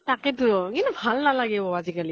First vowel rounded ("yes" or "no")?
no